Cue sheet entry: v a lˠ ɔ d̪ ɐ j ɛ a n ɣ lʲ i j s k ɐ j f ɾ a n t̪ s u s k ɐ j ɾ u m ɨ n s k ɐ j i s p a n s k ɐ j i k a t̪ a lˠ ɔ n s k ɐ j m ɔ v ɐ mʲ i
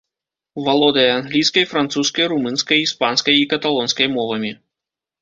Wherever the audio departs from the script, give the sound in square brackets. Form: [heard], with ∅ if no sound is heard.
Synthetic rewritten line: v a lˠ ɔ d̪ ɐ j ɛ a n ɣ lʲ i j s k ɐ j f ɾ a n t̪ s u s k ɐ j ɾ u m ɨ n s k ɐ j i s p a n s k ɐ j i k [ɐ] t̪ a lˠ ɔ n s k ɐ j m ɔ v ɐ mʲ i